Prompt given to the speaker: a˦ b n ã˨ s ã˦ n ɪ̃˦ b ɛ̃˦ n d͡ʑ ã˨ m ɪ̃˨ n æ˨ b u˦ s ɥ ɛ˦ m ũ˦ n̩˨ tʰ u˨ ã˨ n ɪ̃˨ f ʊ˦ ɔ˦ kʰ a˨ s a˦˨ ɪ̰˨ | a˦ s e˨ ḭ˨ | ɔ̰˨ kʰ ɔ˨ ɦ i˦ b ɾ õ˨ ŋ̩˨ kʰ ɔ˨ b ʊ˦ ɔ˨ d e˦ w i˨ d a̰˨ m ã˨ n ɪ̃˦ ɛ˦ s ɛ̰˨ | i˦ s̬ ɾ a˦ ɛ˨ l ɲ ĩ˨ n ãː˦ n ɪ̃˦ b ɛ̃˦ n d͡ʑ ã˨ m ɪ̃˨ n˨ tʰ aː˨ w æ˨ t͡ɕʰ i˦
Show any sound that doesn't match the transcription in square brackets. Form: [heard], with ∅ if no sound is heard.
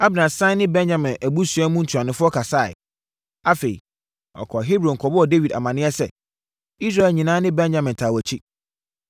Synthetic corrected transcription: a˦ b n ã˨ s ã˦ n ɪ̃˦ b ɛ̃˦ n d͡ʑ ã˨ m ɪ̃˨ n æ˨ b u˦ s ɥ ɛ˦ m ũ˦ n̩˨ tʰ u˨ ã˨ n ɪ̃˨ f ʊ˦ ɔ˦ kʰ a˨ s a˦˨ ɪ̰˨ | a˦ [f] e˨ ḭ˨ | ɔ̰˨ kʰ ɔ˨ ɦ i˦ b ɾ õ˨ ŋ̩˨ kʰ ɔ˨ b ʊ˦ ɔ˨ d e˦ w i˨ d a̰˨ m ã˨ n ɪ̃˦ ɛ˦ s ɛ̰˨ | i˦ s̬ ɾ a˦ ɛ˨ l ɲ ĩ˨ n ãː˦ n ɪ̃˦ b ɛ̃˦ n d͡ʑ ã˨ m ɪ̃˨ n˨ tʰ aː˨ w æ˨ t͡ɕʰ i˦